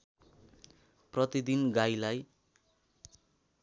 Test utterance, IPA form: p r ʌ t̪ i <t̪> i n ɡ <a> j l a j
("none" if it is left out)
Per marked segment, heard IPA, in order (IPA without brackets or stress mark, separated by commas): d̪, a